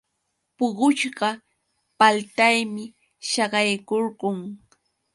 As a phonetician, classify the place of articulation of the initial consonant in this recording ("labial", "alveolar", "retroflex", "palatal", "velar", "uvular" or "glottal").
labial